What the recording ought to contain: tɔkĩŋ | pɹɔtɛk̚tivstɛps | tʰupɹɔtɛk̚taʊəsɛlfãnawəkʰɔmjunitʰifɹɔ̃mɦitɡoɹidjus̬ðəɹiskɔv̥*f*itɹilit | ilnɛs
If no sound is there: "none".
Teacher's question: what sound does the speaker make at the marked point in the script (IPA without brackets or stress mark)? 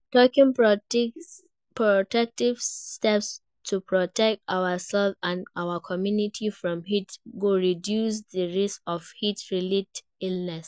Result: h